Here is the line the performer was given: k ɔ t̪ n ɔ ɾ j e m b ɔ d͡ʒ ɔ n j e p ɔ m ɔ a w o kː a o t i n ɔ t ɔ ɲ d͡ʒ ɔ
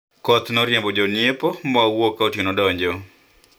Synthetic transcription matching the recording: k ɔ t̪ n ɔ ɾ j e m b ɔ d͡ʒ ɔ n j e p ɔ m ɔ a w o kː a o t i n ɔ d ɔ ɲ d͡ʒ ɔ

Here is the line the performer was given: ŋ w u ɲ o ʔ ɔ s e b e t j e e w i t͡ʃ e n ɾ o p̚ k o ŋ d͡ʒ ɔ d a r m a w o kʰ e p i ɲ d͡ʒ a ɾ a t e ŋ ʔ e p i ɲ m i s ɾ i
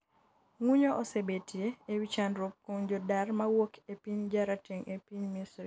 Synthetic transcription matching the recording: ŋ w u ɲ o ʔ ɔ s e b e t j e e w i t͡ʃ a n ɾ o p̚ k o ŋ d͡ʒ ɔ d a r m a w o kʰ e p i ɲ d͡ʒ a ɾ a t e ŋ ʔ e p i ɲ m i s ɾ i

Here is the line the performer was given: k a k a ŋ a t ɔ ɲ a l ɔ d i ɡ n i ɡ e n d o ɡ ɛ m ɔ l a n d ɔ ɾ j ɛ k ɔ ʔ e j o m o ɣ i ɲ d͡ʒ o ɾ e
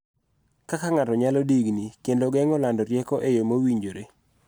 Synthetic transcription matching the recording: k a k a ŋ a t ɔ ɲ a l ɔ d i ɡ n i k e n d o ɡ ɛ ŋ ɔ l a n d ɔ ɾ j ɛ k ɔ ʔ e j o m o w i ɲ d͡ʒ o ɾ e

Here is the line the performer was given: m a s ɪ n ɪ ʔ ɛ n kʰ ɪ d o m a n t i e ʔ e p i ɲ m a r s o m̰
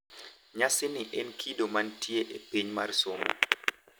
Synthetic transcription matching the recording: ɲ a s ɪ n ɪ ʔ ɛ n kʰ i d o m a n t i e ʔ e p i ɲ m a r s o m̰

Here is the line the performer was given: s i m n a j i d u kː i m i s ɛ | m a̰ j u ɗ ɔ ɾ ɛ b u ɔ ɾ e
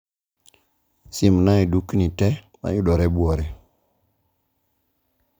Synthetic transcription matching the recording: s i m n a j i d u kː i n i t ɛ | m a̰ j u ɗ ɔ ɾ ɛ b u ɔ ɾ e

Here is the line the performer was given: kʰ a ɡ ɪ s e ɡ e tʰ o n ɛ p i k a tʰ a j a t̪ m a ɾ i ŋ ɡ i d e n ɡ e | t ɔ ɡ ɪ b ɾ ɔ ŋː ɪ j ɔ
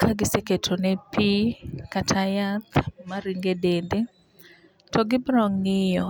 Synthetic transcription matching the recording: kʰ a ɡ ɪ s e k e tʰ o n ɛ p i k a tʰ a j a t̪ m a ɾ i ŋ ɡ e d e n d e | t ɔ ɡ ɪ b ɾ ɔ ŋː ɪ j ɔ

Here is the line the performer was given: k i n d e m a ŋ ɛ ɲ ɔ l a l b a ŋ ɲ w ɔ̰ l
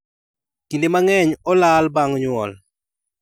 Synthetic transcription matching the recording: k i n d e m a ŋ ɛ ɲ ɔ l a l b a ŋ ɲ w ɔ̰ l

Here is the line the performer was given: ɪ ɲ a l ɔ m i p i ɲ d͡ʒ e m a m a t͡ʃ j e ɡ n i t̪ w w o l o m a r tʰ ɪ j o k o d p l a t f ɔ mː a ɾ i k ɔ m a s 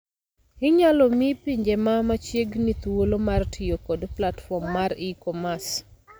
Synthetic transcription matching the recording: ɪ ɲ a l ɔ m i p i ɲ d͡ʒ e m a m a t͡ʃ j e ɡ n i t̪ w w o l o m a r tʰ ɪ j o k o d p l a t f ɔ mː a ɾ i k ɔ m a s

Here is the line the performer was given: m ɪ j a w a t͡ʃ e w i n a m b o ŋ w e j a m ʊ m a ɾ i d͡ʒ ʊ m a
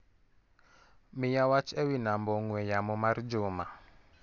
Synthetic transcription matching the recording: m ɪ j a w a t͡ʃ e w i n a m b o ŋ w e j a m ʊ m a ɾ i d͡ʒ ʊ m a

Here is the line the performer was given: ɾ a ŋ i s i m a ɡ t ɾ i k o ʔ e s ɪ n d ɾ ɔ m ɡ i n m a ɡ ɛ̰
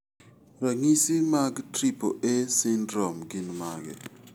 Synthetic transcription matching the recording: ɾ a ŋ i s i m a ɡ t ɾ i p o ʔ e s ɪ n d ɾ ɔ m ɡ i n m a ɡ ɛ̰

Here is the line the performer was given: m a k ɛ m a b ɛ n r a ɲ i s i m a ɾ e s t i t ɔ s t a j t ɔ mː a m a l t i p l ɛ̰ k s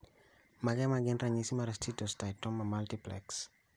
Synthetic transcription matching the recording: m a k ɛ m a ɡ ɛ n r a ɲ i s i m a ɾ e s t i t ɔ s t a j t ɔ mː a m a l t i p l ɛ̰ k s

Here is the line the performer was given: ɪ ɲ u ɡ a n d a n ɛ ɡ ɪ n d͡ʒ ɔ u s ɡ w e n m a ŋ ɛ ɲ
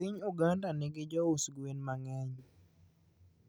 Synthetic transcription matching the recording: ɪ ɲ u ɡ a n d a n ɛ ɡ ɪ d͡ʒ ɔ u s ɡ w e n m a ŋ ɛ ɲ

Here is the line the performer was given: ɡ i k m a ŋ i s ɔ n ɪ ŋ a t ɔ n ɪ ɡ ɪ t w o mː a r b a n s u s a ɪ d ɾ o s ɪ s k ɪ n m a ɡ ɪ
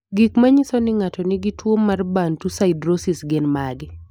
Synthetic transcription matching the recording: ɡ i k m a ɲ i s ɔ n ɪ ŋ a t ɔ n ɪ ɡ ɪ t w o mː a r b a n t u s a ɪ d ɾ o s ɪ s ɡ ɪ n m a ɡ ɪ

